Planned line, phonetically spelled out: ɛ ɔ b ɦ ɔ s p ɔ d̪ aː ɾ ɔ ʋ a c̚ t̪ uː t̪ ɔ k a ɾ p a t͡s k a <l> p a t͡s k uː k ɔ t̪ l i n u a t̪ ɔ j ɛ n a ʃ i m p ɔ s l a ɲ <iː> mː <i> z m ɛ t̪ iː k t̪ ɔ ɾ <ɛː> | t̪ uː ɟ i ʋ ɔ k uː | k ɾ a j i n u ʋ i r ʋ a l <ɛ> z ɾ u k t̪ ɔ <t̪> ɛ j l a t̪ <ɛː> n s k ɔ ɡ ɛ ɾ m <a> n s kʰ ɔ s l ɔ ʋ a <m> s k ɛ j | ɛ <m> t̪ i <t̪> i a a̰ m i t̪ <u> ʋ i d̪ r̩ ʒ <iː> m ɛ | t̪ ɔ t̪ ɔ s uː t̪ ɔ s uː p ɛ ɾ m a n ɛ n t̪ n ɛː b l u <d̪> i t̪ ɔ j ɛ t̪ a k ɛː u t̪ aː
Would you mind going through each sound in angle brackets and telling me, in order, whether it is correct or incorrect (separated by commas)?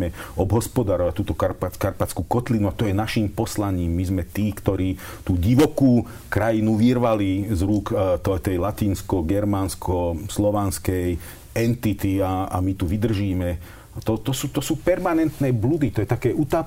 incorrect, correct, correct, incorrect, incorrect, correct, incorrect, correct, incorrect, incorrect, correct, correct, correct, correct